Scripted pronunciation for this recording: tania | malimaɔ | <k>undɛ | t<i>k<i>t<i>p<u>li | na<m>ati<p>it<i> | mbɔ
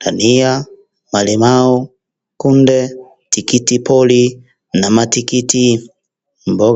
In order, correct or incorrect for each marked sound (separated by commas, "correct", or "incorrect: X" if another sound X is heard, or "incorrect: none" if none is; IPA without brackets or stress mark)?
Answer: correct, correct, correct, correct, incorrect: ɔ, correct, incorrect: k, correct